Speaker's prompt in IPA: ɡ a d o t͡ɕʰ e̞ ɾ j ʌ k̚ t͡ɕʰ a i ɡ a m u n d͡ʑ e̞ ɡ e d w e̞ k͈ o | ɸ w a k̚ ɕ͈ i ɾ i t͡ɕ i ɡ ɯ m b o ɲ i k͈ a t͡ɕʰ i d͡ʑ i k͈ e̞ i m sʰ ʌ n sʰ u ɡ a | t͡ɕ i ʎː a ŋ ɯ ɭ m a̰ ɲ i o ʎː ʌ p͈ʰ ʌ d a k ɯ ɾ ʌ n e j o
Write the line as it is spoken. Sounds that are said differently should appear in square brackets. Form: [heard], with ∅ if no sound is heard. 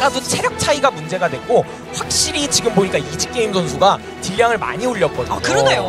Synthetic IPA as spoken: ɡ a d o t͡ɕʰ e̞ ɾ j ʌ k̚ t͡ɕʰ a i ɡ a m u n d͡ʑ e̞ ɡ [a] d w e̞ k͈ o | ɸ w a k̚ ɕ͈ i ɾ i t͡ɕ i ɡ ɯ m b o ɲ i k͈ a [∅] i d͡ʑ i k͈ e̞ i m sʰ ʌ n sʰ u ɡ a | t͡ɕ i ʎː a ŋ ɯ ɭ m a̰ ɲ i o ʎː ʌ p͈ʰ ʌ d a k ɯ ɾ ʌ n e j o